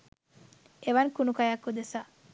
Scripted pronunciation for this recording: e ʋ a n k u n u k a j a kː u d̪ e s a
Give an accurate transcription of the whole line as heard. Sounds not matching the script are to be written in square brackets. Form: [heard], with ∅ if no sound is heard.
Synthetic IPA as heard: e ʋ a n k u n u k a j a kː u d̪ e s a